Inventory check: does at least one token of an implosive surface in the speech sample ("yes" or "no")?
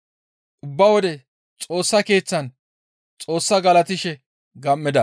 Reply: no